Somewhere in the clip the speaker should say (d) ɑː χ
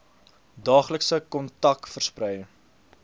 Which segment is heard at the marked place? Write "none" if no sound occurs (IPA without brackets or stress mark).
d